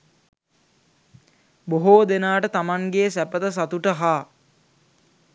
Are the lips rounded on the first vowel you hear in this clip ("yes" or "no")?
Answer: yes